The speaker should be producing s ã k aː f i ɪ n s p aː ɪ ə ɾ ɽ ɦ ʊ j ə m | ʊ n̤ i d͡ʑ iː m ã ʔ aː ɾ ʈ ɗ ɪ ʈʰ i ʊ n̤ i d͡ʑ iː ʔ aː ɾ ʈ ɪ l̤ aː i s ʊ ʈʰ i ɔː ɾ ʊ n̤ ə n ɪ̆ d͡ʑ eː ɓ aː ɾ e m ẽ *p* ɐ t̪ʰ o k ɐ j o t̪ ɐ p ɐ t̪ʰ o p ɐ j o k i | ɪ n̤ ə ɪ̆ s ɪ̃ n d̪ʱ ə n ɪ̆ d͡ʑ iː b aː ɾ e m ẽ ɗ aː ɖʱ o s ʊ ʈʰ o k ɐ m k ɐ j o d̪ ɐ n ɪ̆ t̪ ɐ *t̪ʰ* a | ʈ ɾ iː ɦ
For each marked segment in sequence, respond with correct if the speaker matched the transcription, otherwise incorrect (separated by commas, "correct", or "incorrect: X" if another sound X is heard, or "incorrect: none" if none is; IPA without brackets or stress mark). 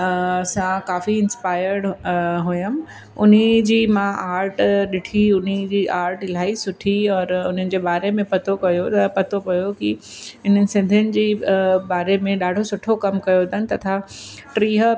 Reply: correct, correct